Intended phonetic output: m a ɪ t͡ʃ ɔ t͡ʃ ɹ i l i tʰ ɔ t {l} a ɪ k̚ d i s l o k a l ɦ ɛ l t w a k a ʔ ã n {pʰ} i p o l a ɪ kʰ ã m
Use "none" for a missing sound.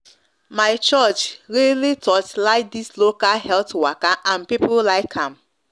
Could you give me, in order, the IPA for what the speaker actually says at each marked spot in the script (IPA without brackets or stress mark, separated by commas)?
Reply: l, p